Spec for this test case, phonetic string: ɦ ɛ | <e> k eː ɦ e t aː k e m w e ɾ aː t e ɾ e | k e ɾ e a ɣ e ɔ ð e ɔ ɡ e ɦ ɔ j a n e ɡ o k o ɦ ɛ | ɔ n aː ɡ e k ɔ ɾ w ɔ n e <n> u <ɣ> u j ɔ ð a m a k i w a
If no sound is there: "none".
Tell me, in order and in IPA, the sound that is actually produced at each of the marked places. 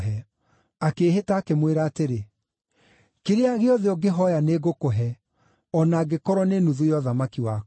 a, n, ð

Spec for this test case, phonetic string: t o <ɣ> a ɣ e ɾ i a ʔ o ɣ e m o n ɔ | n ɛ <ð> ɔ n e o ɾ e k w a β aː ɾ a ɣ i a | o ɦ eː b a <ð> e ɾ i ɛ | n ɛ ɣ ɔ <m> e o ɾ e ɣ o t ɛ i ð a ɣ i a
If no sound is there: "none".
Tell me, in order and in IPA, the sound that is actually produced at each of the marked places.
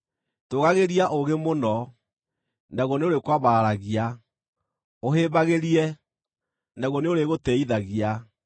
ɣ, ɣ, ɣ, n

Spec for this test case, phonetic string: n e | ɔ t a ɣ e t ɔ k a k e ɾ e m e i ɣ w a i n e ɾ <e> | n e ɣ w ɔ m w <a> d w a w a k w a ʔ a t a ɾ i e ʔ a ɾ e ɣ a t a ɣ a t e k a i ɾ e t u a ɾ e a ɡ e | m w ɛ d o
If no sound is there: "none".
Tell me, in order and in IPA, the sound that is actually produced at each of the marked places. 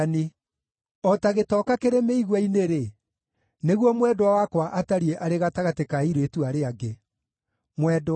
e, ɛ

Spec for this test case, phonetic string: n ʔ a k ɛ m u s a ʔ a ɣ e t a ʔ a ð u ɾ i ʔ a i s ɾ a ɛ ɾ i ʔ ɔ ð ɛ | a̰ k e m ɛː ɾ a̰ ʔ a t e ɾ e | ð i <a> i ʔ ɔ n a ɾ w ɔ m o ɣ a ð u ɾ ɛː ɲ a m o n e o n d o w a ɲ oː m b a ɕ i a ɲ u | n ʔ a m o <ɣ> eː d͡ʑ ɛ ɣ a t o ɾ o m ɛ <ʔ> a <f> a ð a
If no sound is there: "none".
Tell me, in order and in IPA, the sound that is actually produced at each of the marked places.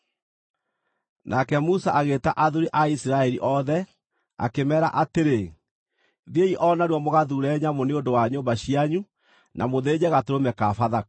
e, ð, k, f

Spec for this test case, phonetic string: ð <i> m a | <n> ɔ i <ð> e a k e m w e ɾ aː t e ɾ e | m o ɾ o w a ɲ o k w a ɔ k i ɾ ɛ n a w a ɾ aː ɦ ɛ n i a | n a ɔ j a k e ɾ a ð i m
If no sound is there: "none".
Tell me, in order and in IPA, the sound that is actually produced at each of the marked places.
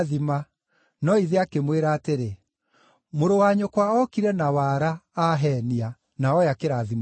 i, n, ð

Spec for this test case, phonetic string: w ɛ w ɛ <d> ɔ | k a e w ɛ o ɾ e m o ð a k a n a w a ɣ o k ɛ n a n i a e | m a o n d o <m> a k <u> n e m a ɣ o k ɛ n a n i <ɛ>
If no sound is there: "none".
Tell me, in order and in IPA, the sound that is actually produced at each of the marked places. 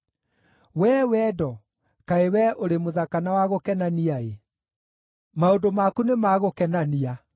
d, m, u, a

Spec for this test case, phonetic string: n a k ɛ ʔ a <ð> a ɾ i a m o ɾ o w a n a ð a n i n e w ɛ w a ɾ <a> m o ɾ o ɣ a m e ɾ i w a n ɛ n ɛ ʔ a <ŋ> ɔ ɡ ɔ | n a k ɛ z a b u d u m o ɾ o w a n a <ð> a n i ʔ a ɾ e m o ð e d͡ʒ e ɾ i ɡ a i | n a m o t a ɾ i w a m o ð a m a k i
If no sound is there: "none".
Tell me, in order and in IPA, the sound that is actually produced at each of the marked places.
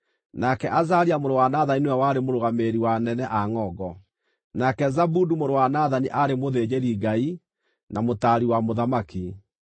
z, e, ŋ, ð

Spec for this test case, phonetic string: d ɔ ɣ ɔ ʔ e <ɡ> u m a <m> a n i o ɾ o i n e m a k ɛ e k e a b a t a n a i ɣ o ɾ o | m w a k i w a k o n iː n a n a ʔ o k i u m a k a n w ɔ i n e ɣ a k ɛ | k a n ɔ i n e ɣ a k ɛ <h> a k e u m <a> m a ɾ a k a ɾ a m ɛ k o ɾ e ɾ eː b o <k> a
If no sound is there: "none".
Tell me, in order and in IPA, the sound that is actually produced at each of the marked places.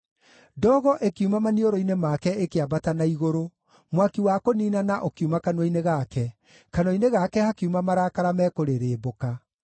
k, m, h, a, k

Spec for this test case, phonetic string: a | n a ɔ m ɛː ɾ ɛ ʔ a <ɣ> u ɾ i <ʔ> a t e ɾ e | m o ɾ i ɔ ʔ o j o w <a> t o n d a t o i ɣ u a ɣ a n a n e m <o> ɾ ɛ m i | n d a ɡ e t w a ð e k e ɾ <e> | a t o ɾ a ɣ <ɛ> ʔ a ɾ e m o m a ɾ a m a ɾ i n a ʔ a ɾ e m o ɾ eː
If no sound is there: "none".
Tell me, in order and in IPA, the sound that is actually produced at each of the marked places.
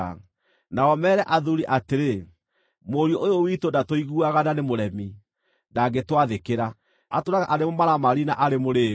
ð, ʔ, i, o, a, a

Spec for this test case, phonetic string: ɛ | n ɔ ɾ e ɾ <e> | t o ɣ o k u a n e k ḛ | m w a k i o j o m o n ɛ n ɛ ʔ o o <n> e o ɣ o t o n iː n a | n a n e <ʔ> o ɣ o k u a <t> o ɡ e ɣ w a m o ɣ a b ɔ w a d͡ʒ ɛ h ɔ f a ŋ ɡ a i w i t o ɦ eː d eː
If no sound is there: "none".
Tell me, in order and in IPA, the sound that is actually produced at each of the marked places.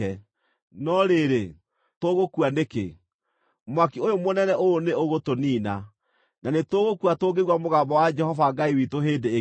e, n, t, t

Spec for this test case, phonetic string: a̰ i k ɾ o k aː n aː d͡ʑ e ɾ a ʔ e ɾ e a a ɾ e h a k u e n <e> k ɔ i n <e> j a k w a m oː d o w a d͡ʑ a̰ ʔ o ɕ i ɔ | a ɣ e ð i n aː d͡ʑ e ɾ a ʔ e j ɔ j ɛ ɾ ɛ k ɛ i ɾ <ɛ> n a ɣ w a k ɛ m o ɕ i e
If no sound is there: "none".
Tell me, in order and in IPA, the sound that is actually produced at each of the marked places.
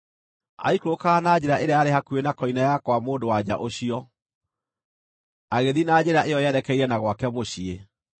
a, a, ɛ

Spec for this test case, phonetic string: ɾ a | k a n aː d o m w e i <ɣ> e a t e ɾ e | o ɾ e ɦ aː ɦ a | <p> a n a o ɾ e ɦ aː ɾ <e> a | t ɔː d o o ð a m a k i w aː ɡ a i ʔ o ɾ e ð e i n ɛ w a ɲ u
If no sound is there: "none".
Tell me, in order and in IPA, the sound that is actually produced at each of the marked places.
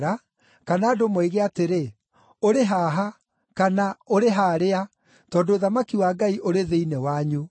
ɣ, k, e

